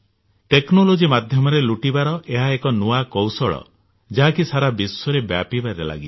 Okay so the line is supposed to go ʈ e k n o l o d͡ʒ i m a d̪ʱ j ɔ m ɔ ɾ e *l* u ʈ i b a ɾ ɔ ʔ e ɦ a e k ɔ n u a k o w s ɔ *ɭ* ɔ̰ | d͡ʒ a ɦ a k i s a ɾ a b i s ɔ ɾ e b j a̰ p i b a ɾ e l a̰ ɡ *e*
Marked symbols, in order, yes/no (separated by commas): yes, yes, no